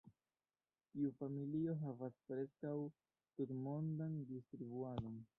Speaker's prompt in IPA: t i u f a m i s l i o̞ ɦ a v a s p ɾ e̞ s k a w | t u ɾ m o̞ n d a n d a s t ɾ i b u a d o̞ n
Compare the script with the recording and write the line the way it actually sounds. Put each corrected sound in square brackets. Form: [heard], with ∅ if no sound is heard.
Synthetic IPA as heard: t i u f a m i [∅] l i o̞ ɦ a v a s p ɾ e̞ s k a w | t u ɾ m o̞ n d a n d [i] s t ɾ i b u a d o̞ n